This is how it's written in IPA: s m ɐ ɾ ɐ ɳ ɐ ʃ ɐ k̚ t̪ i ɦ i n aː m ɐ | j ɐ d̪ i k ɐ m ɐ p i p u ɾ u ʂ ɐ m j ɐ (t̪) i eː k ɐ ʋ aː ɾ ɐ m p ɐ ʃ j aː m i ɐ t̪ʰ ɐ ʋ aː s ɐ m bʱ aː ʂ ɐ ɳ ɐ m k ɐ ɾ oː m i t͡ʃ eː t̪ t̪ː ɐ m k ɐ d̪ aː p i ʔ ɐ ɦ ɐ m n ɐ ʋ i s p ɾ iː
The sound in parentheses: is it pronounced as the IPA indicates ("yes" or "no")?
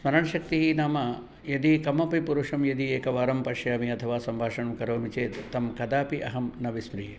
no